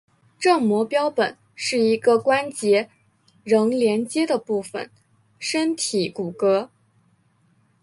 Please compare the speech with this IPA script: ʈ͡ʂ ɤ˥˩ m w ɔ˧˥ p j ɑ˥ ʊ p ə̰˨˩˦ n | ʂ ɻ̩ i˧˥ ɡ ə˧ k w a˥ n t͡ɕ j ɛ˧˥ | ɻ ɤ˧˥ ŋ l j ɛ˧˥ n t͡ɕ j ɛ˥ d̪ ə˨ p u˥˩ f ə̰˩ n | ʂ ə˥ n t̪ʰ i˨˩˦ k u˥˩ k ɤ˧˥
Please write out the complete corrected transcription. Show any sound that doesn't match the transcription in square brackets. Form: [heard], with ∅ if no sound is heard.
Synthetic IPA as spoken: ʈ͡ʂ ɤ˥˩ m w ɔ˧˥ p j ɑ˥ ʊ p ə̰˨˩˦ n | ʂ ɻ̩ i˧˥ ɡ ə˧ k w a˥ n t͡ɕ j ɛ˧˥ | ɻ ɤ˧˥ ŋ l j ɛ˧˥ n t͡ɕ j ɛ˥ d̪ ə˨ p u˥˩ f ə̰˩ n | ʂ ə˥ n t̪ʰ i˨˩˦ k [u˨˩] k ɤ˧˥